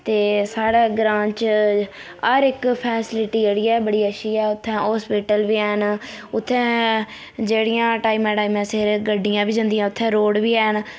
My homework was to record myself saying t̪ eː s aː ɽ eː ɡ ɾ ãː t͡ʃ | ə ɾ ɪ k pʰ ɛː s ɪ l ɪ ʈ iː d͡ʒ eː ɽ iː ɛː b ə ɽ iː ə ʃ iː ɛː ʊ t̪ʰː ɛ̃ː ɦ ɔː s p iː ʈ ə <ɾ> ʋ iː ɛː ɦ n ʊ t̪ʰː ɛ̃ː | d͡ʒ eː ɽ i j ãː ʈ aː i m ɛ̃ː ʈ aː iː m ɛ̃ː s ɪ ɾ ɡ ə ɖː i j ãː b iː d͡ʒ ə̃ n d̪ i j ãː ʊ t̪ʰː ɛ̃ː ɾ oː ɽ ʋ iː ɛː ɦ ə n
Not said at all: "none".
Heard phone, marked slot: l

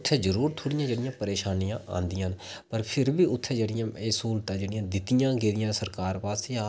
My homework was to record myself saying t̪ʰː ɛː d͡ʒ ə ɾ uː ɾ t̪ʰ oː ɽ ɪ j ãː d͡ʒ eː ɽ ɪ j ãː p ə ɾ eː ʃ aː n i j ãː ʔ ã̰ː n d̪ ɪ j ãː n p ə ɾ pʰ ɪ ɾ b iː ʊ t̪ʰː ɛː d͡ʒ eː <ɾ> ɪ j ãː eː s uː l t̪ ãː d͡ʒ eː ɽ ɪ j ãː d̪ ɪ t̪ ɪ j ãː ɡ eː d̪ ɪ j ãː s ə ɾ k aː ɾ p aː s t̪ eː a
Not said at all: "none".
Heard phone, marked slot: ɽ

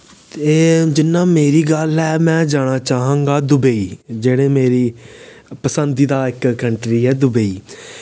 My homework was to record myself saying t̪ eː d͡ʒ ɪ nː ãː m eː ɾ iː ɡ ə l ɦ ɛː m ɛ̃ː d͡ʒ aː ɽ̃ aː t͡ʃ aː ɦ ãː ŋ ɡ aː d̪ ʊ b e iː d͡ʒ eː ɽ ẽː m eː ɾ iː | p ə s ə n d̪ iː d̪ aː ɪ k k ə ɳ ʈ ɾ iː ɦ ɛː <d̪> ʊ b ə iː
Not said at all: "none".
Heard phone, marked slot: d̪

